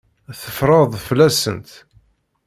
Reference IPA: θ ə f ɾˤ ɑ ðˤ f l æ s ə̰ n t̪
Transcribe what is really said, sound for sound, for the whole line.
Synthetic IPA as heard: θ ə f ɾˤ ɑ ðˤ f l æ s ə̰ n t̪